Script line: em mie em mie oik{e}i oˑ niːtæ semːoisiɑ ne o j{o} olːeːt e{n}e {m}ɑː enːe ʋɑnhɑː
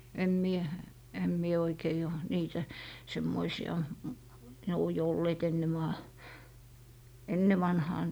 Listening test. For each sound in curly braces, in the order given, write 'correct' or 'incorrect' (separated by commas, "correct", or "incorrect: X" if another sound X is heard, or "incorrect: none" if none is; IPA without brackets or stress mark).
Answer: correct, correct, incorrect: nː, correct